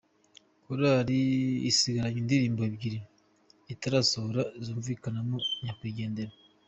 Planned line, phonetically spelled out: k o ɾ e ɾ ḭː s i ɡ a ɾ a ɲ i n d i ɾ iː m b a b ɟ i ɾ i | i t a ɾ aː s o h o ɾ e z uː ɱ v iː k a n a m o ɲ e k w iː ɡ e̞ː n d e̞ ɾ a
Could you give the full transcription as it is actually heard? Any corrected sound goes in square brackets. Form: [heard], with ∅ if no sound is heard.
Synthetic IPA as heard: k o ɾ [a] ɾ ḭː s i ɡ a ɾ a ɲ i n d i ɾ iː m b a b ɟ i ɾ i | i t a ɾ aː s o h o ɾ [a] z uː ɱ v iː k a n a m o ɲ [a] k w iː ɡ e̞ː n d e̞ ɾ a